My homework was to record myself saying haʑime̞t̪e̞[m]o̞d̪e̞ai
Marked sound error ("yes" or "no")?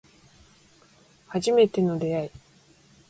yes